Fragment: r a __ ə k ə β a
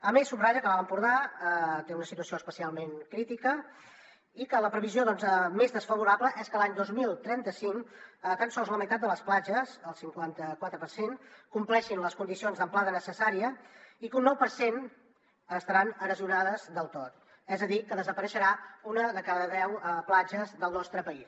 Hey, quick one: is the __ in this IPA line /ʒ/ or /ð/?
ʒ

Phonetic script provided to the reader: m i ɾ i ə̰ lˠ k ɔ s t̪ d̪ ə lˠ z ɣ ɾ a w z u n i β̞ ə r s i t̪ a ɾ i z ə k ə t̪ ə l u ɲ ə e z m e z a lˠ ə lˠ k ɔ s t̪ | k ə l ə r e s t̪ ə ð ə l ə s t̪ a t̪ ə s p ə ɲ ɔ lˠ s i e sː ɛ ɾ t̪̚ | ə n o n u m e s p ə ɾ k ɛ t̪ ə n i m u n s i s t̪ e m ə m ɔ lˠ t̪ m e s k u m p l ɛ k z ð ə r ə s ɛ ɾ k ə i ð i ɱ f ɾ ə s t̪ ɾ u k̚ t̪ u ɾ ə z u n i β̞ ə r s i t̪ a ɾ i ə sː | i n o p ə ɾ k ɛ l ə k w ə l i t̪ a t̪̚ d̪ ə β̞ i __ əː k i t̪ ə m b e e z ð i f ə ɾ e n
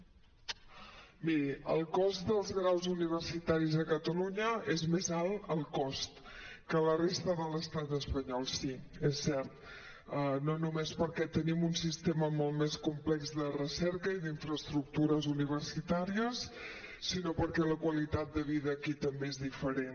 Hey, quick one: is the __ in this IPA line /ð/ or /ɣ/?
ð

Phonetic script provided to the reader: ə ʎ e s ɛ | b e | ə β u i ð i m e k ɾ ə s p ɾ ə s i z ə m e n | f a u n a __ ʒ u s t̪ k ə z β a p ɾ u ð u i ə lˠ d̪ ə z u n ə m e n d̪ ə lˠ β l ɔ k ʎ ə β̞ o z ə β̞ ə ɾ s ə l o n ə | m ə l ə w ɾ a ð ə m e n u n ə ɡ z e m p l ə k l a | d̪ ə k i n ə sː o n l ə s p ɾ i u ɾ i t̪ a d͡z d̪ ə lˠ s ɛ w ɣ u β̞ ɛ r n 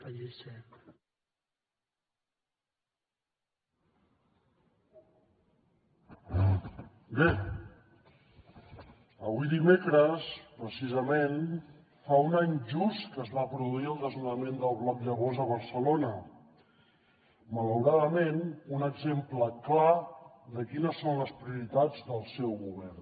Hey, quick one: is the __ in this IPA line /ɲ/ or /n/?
ɲ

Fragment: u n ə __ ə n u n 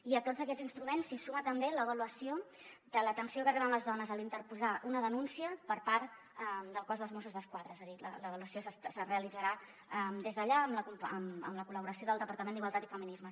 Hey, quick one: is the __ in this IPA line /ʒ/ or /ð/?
ð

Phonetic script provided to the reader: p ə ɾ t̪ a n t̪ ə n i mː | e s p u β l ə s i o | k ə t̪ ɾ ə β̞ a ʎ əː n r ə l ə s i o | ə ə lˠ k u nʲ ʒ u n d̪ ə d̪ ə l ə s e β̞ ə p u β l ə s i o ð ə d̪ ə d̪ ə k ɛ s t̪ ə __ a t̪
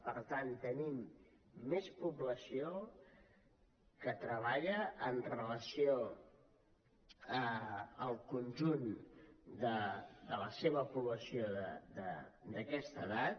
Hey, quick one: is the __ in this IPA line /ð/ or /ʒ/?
ð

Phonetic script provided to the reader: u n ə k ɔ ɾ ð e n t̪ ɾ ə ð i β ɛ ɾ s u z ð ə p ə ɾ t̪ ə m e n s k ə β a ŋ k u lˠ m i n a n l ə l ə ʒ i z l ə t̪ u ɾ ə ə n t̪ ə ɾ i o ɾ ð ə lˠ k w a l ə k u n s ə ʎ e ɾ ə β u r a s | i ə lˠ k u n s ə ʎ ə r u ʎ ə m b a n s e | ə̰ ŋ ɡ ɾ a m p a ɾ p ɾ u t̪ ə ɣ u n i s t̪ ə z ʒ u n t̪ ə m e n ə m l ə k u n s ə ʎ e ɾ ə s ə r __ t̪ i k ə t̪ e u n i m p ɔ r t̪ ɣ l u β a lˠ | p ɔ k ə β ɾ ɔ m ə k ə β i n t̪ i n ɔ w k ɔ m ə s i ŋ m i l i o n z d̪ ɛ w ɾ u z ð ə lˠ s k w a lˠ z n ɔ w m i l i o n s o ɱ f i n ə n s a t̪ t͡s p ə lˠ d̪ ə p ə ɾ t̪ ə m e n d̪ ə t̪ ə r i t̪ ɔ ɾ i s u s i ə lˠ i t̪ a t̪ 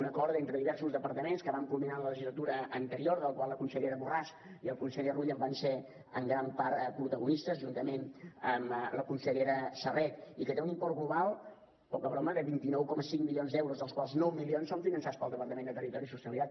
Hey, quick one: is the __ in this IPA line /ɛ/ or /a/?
ɛ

